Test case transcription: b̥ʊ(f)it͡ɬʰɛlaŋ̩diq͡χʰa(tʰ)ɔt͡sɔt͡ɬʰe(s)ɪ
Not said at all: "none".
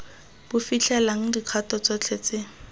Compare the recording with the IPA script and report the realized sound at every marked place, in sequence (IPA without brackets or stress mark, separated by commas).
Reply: f, t, t͡s